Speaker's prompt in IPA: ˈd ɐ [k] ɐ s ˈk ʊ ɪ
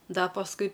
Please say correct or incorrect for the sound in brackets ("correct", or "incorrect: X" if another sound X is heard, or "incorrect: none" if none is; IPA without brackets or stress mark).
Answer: incorrect: p